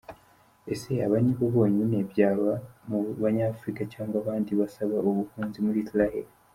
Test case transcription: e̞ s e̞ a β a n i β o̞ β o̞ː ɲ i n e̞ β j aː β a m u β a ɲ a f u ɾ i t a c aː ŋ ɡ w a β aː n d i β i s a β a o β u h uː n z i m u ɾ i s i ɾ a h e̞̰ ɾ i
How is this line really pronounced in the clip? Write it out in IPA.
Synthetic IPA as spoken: e̞ s e̞ a β a n i β o̞ β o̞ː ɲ i n e̞ β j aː β a m u β a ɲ a f u ɾ i k a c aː ŋ ɡ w a β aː n d i β a s a β a o β u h uː n z i m u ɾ i s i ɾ a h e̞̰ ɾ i

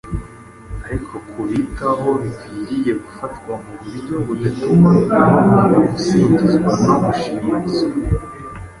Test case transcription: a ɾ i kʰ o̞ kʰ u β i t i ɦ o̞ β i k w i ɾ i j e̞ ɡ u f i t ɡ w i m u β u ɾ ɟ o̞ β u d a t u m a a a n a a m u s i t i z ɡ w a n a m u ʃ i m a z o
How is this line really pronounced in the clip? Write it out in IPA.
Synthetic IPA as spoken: a ɾ i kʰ o̞ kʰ u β i t a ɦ o̞ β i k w i ɾ i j e̞ ɡ u f a t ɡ w a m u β u ɾ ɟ o̞ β u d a t u m a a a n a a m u s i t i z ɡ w a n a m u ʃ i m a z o

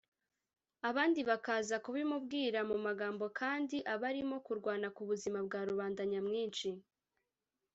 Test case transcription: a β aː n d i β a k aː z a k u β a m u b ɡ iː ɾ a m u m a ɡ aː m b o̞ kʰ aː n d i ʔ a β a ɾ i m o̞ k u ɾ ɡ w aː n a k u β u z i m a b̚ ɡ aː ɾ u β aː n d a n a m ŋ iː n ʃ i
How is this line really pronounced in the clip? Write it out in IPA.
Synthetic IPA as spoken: a β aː n d i β a k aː z a k u β i m u b ɡ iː ɾ a m u m a ɡ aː m b o̞ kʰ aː n d i ʔ a β a ɾ i m o̞ k u ɾ ɡ w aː n a k u β u z i m a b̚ ɡ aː ɾ u β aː n d a ɲ a m ŋ iː n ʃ i

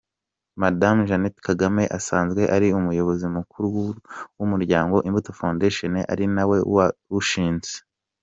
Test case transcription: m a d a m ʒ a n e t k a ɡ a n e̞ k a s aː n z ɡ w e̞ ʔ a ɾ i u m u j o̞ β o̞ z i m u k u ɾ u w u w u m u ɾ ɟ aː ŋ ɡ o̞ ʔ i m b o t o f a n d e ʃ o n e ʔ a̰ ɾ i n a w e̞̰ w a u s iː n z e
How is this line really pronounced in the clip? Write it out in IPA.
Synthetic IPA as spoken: m a d a m ʒ a n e t k a ɡ a m e̞ ʔ a s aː n z ɡ w e̞ ʔ a ɾ i u m u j o̞ β o̞ z i m u k u ɾ u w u w u m u ɾ ɟ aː ŋ ɡ o̞ ʔ i m b u t o f a n d e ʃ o n e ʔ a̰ ɾ i n a w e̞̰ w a u ʃ iː n z e

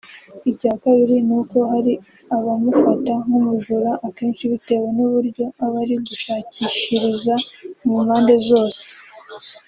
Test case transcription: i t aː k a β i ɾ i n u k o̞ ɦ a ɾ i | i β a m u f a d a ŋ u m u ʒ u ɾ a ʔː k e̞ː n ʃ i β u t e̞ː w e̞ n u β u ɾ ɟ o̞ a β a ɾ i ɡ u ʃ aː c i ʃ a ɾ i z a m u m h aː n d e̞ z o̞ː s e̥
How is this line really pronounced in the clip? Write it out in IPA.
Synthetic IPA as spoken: i c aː k a β i ɾ i n u k o̞ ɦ a ɾ i | a β a m u f a t a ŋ u m u ʒ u ɾ a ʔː k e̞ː n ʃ i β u t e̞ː w e̞ n u β u ɾ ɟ o̞ a β a ɾ i ɡ u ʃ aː c i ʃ i ɾ i z a m u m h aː n d e̞ z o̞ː s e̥

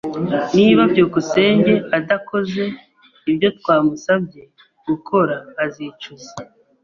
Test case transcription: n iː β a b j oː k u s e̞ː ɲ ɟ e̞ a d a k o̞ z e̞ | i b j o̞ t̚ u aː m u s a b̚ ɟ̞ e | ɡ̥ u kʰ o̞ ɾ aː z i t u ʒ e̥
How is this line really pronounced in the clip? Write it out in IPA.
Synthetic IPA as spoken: n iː β a b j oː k u s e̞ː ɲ ɟ e̞ a d a k o̞ z e̞ | i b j o̞ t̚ w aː m u s a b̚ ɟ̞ e | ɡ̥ u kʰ o̞ ɾ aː z i t͡ʃ u z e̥

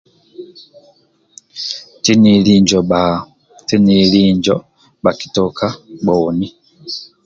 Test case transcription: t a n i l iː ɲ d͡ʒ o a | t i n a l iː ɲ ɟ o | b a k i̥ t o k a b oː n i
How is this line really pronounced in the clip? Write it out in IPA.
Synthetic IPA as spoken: t i n i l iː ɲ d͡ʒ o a | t i n i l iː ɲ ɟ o | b a k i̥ t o k a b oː n i

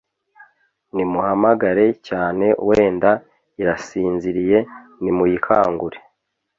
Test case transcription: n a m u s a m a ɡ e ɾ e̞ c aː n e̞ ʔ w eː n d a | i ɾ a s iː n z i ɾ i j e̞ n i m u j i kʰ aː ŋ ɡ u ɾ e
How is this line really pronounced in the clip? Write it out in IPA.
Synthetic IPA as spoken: n i m u h a m a ɡ a ɾ e̞ c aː n e̞ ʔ w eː n d a | i ɾ a s iː n z i ɾ i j e̞ n i m u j i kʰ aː ŋ ɡ u ɾ e

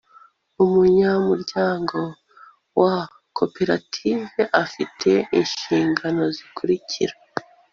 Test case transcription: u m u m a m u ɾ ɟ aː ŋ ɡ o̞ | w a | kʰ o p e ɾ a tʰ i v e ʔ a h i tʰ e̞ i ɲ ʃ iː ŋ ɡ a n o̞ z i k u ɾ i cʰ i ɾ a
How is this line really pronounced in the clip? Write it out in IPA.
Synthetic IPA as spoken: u m u ɲ a m u ɾ ɟ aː ŋ ɡ o̞ | w a | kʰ o p e ɾ a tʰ i v e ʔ a f i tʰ e̞ i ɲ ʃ iː ŋ ɡ a n o̞ z i k u ɾ i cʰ i ɾ a

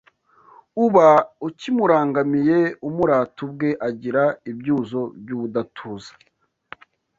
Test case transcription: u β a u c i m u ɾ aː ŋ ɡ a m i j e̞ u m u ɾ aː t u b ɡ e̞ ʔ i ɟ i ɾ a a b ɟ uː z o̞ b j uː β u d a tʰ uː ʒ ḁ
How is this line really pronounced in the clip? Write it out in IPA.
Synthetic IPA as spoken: u β a u c i m u ɾ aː ŋ ɡ a m i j e̞ u m u ɾ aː t u b ɡ e̞ ʔ a ɟ i ɾ a i b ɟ uː z o̞ b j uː β u d a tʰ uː z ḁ

